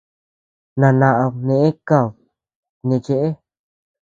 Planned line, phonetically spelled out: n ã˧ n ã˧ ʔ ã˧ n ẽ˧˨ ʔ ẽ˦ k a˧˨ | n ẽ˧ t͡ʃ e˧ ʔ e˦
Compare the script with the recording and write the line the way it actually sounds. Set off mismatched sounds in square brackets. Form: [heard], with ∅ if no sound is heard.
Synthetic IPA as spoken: n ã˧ n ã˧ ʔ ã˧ n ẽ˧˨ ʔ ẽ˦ k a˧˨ | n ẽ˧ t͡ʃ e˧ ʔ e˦